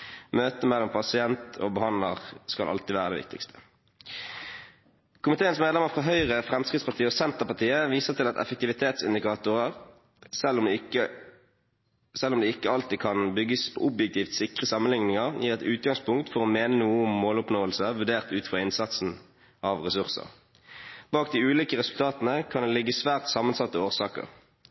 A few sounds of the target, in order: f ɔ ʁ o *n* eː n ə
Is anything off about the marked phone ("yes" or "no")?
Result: yes